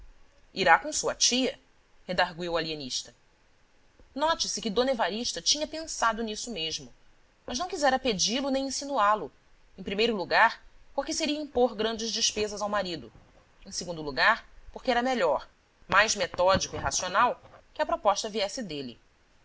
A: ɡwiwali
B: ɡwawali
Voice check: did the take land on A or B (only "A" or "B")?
A